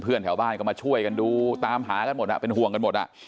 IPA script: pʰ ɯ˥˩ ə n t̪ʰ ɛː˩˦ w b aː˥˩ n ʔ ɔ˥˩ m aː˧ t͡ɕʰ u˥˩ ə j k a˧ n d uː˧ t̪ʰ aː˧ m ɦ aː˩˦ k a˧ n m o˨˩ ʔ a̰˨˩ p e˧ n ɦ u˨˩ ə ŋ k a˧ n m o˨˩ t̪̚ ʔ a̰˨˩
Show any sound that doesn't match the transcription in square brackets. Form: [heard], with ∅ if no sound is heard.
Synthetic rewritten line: pʰ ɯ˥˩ ə n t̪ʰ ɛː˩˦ w b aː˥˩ n [k] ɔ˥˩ m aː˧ t͡ɕʰ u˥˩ ə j k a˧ n d uː˧ [t̪] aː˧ m ɦ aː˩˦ k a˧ n m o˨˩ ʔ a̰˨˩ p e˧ n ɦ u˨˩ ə ŋ k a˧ n m o˨˩ t̪̚ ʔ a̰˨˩

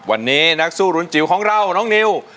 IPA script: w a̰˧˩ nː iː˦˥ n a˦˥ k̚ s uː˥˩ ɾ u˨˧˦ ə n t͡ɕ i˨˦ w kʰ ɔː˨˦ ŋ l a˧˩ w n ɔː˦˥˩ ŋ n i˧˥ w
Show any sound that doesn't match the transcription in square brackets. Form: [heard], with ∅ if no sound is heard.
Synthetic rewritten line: w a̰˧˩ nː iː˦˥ n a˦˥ k̚ s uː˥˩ ɾ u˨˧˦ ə n t͡ɕ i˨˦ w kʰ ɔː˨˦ ŋ [ɾ] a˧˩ w n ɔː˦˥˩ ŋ n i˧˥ w

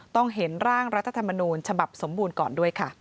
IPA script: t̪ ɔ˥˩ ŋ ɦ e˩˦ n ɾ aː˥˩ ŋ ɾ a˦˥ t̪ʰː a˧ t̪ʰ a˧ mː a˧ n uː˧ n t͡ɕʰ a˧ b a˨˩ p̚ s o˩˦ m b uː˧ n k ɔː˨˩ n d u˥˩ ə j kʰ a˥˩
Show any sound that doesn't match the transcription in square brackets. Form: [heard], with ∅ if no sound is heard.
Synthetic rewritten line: t̪ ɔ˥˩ ŋ ɦ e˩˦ n ɾ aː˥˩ ŋ ɾ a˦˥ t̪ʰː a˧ t̪ʰ a˧ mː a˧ n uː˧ n t͡ɕʰ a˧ b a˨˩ p̚ s o˩˦ m b uː˧ n k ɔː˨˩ n d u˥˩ ə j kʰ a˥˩

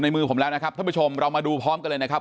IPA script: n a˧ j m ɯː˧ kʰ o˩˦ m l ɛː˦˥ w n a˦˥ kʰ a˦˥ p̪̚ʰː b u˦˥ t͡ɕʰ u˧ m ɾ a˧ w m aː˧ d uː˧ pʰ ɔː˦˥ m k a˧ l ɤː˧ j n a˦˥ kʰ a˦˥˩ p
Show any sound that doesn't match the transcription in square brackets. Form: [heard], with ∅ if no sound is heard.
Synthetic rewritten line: n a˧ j m ɯː˧ [pʰ] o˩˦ m l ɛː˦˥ w n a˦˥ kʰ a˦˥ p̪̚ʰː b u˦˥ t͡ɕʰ [o˧] m ɾ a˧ w m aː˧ d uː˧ pʰ ɔː˦˥ m k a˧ l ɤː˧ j n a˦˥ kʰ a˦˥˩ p

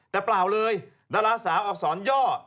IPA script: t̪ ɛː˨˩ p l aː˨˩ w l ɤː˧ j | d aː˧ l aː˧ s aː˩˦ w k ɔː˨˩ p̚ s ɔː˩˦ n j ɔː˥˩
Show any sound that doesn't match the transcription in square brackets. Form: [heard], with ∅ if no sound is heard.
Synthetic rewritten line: t̪ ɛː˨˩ p l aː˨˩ w l ɤː˧ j | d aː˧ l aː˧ s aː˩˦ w [ʔ] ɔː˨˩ [k̚] s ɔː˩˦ n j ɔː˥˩

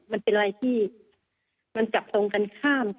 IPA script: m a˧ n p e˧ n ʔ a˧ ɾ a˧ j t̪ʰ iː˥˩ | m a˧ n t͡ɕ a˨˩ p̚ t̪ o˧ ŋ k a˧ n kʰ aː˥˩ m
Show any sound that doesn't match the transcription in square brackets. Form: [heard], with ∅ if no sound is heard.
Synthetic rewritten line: m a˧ n p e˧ n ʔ a˧ ɾ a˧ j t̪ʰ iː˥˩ | m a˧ n t͡ɕ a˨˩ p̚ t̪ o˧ ŋ k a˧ n kʰ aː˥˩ m

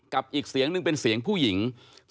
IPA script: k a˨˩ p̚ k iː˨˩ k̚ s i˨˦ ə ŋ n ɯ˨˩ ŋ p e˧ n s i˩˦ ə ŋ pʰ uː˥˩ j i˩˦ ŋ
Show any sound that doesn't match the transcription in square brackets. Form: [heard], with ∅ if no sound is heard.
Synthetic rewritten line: k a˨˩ p̚ [ʔ] iː˨˩ k̚ s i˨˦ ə ŋ n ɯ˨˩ ŋ p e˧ n s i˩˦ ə ŋ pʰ uː˥˩ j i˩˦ ŋ

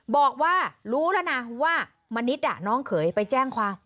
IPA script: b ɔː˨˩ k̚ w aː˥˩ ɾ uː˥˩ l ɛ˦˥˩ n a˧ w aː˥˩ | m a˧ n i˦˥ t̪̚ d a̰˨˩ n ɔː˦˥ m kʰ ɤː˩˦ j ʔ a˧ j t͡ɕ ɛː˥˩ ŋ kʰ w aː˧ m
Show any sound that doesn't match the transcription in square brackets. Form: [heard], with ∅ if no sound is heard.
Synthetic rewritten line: b ɔː˨˩ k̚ w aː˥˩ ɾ [uː˦˥] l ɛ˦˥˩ n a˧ w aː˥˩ | m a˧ n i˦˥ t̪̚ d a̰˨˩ n ɔː˦˥ [ŋ] kʰ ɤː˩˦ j [p] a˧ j t͡ɕ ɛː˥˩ ŋ kʰ w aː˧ m

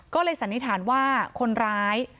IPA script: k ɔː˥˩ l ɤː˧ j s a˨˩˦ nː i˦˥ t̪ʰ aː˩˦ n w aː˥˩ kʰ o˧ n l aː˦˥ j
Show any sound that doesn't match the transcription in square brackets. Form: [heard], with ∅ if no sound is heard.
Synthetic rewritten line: k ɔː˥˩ l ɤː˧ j s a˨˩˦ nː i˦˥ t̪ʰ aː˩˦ n w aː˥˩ kʰ o˧ n [ɾ] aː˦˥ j

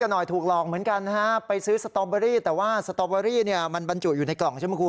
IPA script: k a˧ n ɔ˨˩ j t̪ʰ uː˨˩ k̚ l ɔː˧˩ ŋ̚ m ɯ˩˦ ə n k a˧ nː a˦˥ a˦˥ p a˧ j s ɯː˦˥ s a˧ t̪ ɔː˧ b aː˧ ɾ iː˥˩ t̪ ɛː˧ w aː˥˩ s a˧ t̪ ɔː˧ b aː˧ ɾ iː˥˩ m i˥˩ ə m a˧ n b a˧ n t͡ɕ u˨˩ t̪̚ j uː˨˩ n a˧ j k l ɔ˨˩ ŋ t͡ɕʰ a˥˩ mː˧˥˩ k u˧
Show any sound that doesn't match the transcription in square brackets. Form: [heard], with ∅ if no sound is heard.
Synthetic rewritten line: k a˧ n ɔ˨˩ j t̪ʰ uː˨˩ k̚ l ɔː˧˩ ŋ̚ m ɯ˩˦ ə n k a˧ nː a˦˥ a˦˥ p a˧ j s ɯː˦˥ s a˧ t̪ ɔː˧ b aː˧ ɾ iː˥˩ t̪ [ɛː˨˩] w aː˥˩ s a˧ t̪ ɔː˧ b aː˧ ɾ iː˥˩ [n] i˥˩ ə m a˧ n b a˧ n t͡ɕ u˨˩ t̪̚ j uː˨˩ n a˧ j k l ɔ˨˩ ŋ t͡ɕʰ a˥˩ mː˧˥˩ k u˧

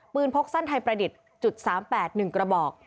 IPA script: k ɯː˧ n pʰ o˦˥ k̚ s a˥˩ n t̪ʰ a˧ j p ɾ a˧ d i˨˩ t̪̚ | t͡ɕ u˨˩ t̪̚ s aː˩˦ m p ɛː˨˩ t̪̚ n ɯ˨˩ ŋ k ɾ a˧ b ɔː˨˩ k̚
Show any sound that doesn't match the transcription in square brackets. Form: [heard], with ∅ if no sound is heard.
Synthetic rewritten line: [p] ɯː˧ n pʰ o˦˥ k̚ s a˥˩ n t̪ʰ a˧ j p ɾ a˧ d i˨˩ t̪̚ | t͡ɕ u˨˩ t̪̚ s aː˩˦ m p ɛː˨˩ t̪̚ n ɯ˨˩ ŋ k ɾ a˧ b ɔː˨˩ k̚

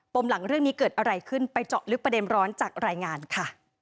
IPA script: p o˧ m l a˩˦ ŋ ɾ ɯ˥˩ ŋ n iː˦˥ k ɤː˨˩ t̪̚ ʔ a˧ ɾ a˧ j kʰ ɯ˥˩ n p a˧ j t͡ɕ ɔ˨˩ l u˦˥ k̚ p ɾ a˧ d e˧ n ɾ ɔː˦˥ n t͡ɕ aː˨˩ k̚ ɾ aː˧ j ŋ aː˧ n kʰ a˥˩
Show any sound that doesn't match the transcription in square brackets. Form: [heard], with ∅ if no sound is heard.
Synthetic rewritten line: p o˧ m l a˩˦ ŋ ɾ ɯ˥˩ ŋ n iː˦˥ k ɤː˨˩ t̪̚ ʔ a˧ ɾ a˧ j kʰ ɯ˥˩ n p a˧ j t͡ɕ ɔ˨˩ l [ɯ˦˥] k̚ p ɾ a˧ d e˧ n ɾ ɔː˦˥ n t͡ɕ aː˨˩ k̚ ɾ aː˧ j ŋ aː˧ n kʰ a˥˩

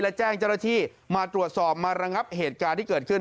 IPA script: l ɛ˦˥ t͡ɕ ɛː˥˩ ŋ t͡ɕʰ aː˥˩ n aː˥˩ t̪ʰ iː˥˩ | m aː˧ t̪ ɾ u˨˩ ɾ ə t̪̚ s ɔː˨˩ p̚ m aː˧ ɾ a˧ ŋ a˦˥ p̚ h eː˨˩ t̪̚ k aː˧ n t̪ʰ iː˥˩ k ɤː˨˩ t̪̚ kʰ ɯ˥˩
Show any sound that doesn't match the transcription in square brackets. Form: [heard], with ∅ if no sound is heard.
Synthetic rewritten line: l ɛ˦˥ t͡ɕ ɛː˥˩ ŋ [t͡ɕ] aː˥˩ n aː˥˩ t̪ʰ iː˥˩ | m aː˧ t̪ ɾ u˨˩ [∅] ə t̪̚ s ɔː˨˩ p̚ m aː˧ ɾ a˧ ŋ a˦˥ p̚ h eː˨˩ t̪̚ k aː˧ n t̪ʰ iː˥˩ k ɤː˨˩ t̪̚ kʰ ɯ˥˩

